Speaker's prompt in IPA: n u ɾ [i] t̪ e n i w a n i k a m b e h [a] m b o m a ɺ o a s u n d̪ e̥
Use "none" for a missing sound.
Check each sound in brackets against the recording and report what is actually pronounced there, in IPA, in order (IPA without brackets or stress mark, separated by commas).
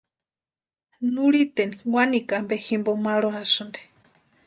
i, i